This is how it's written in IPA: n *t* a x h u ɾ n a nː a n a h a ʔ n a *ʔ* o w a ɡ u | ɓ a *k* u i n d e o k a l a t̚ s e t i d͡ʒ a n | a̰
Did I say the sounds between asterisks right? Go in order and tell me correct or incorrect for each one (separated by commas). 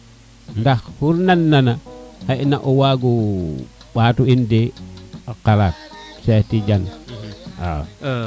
incorrect, correct, incorrect